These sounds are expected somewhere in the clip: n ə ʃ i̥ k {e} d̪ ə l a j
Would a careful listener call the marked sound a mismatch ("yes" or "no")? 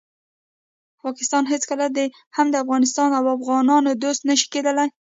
no